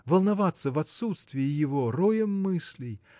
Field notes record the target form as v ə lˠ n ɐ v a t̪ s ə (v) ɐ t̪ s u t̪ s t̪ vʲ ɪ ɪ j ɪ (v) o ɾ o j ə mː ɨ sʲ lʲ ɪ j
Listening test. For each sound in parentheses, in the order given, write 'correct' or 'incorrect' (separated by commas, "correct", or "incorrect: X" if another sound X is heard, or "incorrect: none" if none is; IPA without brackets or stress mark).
correct, correct